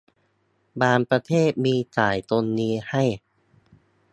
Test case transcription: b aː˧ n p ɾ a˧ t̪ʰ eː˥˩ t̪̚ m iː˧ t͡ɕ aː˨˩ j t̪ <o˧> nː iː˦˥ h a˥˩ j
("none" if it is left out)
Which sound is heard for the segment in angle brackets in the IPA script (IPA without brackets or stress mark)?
o˧